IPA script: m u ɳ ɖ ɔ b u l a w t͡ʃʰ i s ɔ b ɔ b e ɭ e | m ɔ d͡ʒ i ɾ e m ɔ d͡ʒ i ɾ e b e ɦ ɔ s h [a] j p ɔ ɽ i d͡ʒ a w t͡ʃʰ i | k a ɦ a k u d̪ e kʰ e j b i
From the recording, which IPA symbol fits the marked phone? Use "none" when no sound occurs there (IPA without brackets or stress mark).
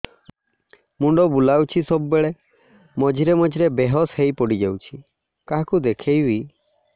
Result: e